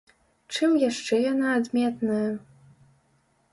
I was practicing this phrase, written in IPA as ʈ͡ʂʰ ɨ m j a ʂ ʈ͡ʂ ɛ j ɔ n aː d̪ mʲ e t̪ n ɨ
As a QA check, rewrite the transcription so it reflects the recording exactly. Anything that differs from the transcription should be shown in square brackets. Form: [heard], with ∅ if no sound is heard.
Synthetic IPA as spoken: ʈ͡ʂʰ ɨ m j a ʂ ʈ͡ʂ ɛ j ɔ n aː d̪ mʲ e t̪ n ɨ